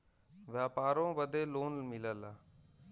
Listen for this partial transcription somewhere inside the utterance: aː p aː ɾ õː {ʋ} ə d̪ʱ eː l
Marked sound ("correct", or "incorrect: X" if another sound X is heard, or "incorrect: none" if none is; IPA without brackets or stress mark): correct